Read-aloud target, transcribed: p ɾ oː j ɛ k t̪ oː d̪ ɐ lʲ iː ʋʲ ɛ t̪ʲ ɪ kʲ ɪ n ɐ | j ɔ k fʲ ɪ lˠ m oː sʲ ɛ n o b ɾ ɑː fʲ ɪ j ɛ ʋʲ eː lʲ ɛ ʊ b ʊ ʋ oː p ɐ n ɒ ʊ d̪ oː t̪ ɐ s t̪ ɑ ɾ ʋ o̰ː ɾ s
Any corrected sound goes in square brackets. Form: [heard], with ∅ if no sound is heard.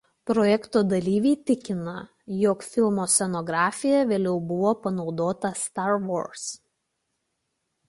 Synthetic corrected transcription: p ɾ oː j ɛ k t̪ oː d̪ ɐ lʲ iː ʋʲ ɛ t̪ʲ ɪ kʲ ɪ n ɐ | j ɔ k fʲ ɪ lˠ m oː sʲ ɛ n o [ɡ] ɾ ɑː fʲ ɪ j ɛ ʋʲ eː lʲ ɛ ʊ b ʊ ʋ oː p ɐ n ɒ ʊ d̪ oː t̪ ɐ s t̪ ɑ ɾ ʋ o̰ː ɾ s

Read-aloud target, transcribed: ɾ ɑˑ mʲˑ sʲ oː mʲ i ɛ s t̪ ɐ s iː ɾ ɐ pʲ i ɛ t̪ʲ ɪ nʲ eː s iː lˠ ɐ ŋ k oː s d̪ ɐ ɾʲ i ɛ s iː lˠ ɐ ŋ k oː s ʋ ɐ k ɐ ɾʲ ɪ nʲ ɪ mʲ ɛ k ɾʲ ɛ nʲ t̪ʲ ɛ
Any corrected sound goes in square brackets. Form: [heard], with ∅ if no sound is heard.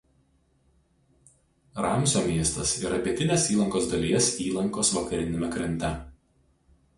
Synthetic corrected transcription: ɾ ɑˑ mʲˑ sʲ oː mʲ i ɛ s t̪ ɐ s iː ɾ ɐ pʲ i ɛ t̪ʲ ɪ nʲ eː s iː lˠ ɐ ŋ k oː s d̪ ɐ [lʲ] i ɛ s iː lˠ ɐ ŋ k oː s ʋ ɐ k ɐ ɾʲ ɪ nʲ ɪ mʲ ɛ k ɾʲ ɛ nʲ t̪ʲ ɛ

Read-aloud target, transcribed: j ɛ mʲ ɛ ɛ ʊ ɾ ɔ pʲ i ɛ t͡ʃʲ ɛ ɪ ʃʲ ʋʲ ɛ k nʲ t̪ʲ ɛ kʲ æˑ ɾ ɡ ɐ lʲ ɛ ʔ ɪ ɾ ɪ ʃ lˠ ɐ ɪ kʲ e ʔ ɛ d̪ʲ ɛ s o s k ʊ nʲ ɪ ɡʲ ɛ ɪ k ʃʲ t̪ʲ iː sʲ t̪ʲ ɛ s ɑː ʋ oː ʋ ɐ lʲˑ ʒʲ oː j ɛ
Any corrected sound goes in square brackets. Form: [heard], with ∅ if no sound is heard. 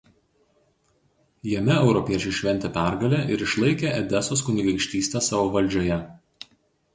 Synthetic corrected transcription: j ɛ mʲ ɛ ɛ ʊ ɾ ɔ pʲ i ɛ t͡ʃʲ ɛ ɪ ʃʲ ʋʲ ɛ [∅] nʲ t̪ʲ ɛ [pʲ] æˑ ɾ ɡ ɐ lʲ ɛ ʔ ɪ ɾ ɪ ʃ lˠ ɐ ɪ kʲ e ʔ ɛ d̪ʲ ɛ s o s k ʊ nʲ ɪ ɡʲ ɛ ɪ k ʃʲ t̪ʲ iː sʲ t̪ʲ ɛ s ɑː ʋ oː ʋ ɐ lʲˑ [d͡ʒʲ] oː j ɛ

